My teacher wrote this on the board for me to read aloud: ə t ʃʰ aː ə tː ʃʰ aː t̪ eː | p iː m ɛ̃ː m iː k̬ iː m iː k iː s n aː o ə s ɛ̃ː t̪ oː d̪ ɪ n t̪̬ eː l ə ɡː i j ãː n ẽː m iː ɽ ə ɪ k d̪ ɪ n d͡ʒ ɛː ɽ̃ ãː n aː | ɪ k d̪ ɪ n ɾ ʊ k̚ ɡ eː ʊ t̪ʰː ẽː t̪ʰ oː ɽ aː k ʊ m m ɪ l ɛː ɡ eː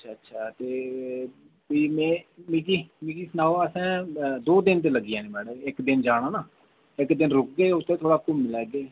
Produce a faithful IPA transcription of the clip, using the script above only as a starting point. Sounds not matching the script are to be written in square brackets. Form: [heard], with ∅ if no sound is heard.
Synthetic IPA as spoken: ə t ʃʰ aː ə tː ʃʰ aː t̪ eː | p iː m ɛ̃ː m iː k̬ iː m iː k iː s n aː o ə s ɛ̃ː [d̪] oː d̪ ɪ n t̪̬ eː l ə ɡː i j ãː n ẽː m [ɛː] ɽ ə ɪ k d̪ ɪ n d͡ʒ [aː] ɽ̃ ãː n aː | ɪ k d̪ ɪ n ɾ ʊ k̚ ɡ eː ʊ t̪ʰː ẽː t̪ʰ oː ɽ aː k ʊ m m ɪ l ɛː ɡ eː